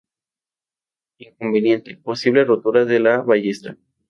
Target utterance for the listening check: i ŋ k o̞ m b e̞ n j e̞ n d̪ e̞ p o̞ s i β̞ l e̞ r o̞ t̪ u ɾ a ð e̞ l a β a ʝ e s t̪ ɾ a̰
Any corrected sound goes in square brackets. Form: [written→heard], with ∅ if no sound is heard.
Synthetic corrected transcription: i ŋ k o̞ m b e̞ n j e̞ n [d̪→t̪] e̞ p o̞ s i β̞ l e̞ r o̞ t̪ u ɾ a ð e̞ l a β a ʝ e s t̪ ɾ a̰